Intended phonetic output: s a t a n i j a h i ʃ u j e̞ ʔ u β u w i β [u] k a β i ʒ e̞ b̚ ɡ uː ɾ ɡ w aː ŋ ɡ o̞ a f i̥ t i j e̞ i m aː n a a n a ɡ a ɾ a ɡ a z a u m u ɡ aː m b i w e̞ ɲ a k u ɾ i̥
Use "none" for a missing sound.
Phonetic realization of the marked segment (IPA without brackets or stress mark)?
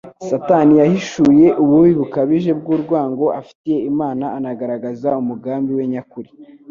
u